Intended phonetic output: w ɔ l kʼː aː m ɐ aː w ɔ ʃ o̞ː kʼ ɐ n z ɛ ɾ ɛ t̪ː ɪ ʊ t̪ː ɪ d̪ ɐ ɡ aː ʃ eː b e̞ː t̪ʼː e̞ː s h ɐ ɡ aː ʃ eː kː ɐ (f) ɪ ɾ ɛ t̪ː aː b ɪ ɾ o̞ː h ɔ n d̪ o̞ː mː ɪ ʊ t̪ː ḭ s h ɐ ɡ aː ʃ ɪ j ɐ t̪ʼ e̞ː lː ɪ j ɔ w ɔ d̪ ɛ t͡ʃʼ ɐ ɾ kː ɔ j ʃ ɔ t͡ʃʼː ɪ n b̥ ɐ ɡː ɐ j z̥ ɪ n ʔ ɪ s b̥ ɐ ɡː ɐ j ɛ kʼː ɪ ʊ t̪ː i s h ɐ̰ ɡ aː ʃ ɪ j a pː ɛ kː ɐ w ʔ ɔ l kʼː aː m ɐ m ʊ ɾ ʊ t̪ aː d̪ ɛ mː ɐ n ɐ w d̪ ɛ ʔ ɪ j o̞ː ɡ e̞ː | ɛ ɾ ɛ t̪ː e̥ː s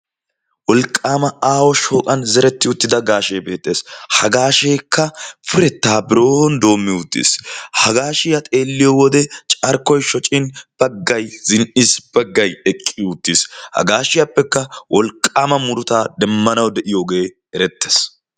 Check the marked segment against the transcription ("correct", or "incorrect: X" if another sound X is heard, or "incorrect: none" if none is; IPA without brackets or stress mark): correct